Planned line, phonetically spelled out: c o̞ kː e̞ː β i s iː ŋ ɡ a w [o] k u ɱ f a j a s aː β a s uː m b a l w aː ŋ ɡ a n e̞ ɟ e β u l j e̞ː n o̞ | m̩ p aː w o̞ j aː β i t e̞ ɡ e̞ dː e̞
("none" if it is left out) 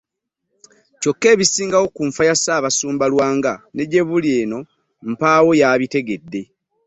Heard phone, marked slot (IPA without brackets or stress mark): o